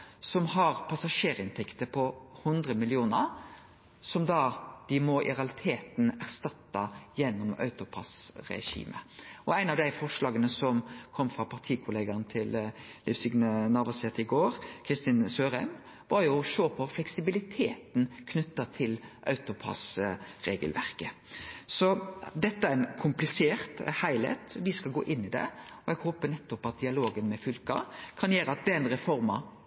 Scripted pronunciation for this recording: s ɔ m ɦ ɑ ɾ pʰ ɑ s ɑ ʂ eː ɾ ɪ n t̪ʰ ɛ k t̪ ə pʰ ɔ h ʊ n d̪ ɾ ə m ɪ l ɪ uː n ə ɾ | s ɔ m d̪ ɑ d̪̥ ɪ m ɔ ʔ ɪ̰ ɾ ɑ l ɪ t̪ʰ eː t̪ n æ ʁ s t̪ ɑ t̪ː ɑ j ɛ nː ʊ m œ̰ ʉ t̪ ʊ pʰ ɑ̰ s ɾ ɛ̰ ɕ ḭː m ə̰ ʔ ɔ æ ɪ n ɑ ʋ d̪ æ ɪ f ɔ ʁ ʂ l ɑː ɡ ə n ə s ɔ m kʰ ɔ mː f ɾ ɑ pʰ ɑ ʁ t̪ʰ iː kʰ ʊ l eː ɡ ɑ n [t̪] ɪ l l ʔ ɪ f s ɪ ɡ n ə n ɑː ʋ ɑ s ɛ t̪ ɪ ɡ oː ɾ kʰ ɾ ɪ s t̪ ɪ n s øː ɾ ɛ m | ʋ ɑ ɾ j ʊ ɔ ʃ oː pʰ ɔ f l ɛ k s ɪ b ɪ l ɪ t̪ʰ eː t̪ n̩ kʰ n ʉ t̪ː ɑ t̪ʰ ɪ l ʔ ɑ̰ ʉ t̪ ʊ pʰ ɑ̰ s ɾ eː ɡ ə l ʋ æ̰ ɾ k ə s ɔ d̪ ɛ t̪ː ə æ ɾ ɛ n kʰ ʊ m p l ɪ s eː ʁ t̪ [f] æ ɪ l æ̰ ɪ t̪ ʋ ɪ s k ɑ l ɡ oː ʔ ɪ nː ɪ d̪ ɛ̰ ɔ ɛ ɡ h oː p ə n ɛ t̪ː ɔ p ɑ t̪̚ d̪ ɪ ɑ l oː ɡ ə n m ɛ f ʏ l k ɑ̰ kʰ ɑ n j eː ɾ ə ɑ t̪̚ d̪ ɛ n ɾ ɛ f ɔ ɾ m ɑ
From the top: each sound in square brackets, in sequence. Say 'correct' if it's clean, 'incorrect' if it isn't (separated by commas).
incorrect, incorrect